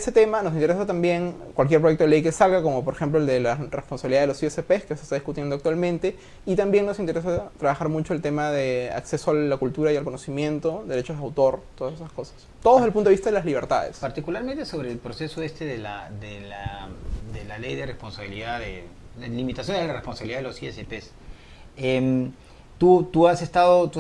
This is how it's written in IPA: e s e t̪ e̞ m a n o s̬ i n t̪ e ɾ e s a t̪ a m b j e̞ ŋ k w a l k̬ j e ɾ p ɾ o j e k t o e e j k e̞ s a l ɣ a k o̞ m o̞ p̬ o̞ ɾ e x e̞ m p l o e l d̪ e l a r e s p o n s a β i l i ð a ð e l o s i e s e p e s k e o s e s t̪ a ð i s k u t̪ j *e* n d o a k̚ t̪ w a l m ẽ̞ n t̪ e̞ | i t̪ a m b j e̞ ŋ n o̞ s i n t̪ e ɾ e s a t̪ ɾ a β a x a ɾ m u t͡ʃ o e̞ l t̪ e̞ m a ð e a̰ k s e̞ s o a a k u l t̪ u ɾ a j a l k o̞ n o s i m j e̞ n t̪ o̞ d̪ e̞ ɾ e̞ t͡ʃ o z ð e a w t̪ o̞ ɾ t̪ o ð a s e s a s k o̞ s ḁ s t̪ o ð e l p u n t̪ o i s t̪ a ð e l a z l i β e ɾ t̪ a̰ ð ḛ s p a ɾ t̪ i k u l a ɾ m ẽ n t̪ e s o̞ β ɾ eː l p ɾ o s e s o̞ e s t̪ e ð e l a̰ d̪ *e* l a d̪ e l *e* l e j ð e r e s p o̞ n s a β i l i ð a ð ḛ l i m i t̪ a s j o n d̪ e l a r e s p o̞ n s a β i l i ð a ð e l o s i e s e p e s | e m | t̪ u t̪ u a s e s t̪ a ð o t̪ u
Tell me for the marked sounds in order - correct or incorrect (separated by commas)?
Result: correct, correct, incorrect